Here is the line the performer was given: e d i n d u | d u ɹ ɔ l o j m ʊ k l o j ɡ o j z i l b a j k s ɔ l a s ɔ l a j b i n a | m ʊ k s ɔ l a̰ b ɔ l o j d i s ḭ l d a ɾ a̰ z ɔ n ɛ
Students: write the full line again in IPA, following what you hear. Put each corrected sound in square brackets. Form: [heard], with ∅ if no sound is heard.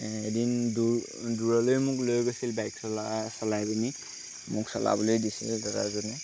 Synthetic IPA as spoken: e d i n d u | d u ɹ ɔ l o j m ʊ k l o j ɡ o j [s] i l b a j k s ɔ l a s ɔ l a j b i n [i] | m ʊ k s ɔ l a̰ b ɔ l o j d i s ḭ l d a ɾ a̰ z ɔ n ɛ